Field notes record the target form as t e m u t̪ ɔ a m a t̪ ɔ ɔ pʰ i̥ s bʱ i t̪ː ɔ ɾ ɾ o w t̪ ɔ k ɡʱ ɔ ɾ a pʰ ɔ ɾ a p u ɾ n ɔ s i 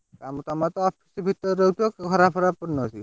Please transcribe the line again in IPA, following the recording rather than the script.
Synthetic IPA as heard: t a m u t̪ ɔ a m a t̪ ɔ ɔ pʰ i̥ s bʱ i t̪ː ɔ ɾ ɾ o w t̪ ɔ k ɡʱ ɔ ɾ a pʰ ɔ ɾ a p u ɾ n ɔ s i